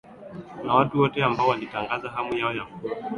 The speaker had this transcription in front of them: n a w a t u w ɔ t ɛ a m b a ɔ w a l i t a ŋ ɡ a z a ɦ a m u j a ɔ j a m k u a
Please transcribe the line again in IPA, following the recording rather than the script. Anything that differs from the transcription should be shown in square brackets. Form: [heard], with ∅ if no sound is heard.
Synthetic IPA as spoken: n a w a t u w ɔ t ɛ a m b a ɔ w a l i t a ŋ ɡ a z a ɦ a m u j a ɔ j a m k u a